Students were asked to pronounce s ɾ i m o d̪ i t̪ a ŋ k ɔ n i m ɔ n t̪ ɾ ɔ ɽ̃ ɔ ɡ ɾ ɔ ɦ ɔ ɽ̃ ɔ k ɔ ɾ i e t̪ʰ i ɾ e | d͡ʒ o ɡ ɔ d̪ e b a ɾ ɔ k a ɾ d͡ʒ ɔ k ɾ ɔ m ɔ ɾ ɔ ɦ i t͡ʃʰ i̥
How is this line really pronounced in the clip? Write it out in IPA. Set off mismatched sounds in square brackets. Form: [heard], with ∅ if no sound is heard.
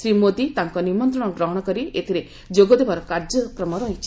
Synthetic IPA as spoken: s ɾ i m o d̪ i t̪ a ŋ k ɔ n i m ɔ n t̪ ɾ ɔ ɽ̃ ɔ ɡ ɾ ɔ ɦ ɔ ɽ̃ ɔ k ɔ ɾ i e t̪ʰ i ɾ e | d͡ʒ o ɡ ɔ d̪ e b a ɾ ɔ k a ɾ d͡ʒ ɔ k ɾ ɔ m ɔ ɾ ɔ ɦ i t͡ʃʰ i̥